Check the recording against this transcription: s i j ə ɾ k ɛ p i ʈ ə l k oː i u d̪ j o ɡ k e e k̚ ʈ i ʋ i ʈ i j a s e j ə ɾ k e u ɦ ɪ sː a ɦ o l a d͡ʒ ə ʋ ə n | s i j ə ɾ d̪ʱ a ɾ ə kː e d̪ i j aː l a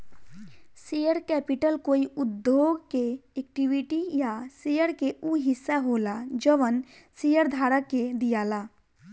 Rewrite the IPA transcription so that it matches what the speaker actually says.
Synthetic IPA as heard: s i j ə ɾ k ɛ p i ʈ ə l k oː i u d̪ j o ɡ k e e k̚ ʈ i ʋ i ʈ i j a s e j ə ɾ k e u ɦ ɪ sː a ɦ o l a d͡ʒ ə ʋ ə n | s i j ə ɾ d̪ʱ a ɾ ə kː e d̪ i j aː l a